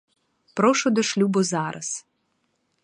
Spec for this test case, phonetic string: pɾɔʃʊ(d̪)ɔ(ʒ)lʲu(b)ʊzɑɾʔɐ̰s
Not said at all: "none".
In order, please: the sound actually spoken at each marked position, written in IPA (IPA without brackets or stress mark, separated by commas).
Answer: d̪, ʃ, b